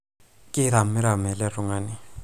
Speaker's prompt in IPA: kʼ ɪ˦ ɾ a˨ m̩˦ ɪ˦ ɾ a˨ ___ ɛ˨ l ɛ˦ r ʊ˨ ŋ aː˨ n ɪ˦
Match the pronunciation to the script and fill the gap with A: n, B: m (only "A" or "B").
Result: B